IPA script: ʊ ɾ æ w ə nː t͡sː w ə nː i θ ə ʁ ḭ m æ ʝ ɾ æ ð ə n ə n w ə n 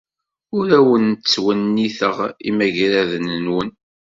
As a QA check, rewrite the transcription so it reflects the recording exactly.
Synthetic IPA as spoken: ʊ ɾ æ w ə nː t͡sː w ə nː i θ ə ʁ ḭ m æ ʝ ɾ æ ð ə n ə n w ə n